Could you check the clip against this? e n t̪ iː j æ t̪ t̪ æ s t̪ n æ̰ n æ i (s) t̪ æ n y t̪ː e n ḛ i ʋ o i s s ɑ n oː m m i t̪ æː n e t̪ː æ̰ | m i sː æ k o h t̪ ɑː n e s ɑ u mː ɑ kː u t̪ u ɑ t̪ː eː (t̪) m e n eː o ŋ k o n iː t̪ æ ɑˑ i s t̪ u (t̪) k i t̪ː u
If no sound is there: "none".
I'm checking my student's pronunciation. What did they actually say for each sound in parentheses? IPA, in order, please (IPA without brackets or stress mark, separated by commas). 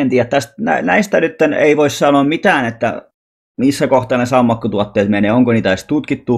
s, t̪, t̪